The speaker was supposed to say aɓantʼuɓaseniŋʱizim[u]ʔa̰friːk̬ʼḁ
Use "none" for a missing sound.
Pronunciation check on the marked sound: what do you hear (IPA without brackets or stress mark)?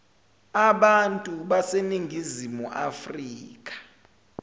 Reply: u